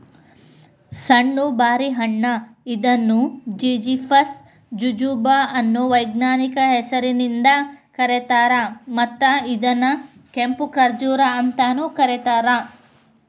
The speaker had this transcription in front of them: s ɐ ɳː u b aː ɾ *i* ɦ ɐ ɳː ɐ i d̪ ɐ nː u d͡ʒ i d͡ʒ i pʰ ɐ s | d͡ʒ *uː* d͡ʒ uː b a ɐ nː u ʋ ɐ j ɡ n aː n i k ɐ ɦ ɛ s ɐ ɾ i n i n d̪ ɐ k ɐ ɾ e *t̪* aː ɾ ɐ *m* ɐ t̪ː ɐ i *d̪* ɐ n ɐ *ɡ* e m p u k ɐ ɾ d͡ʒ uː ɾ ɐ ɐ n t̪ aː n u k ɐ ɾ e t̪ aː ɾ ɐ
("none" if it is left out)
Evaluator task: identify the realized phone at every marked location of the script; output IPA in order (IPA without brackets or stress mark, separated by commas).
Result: i, u, t̪, m, d̪, k